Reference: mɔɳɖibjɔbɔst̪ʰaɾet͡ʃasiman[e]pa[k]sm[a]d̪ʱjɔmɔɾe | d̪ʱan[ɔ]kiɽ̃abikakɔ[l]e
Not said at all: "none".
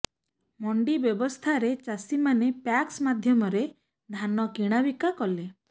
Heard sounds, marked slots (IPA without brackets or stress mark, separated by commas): e, k, a, ɔ, l